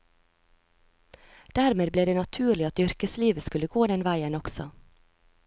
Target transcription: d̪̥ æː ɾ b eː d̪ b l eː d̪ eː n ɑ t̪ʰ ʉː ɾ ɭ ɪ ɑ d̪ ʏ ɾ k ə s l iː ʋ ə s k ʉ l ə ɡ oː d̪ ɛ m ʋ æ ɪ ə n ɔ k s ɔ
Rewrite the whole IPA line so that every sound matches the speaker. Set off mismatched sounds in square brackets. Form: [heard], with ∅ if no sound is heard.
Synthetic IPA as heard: d̪̥ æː ɾ [m] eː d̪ b l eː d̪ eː n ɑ t̪ʰ ʉː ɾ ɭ ɪ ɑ [t̪] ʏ ɾ k ə s l iː ʋ ə s k ʉ l ə ɡ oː d̪ ɛ [n] ʋ æ ɪ ə n ɔ k s ɔ